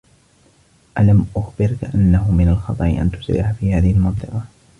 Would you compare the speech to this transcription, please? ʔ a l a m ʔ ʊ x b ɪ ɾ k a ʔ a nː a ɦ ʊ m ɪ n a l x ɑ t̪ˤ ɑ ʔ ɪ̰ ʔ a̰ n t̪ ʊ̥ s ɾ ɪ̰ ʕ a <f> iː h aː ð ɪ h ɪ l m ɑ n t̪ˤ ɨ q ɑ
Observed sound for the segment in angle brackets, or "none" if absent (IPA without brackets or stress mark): f